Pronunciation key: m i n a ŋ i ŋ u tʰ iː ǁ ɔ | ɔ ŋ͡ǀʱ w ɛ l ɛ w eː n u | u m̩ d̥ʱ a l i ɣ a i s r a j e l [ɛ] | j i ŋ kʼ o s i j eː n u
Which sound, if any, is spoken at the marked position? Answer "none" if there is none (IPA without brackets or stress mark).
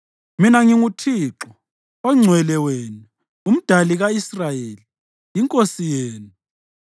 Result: i